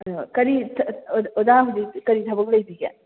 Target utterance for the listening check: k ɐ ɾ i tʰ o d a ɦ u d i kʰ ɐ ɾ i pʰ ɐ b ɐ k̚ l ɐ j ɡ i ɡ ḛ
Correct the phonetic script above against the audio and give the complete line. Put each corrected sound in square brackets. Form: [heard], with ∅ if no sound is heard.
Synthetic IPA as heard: k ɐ ɾ i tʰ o d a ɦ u d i [k] ɐ ɾ i [tʰ] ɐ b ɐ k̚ l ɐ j [b] i ɡ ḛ